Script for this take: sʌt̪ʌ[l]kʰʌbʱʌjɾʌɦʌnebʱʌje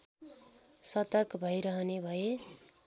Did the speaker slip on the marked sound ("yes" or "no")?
yes